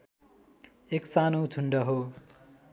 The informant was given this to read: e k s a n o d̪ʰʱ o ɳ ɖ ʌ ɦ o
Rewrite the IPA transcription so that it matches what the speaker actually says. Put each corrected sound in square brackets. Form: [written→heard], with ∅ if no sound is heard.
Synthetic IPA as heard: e k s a n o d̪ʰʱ [o→u] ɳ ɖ ʌ ɦ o